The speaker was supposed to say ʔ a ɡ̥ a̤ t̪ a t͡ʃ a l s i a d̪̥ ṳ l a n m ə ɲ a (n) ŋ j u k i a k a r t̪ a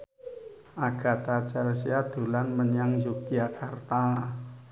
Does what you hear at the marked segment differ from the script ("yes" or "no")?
yes